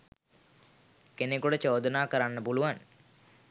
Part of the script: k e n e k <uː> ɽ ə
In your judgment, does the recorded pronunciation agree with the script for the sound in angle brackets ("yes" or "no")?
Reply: no